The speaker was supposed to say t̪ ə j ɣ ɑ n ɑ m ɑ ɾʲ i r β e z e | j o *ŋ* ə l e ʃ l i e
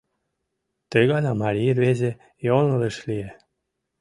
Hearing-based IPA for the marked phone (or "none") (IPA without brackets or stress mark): n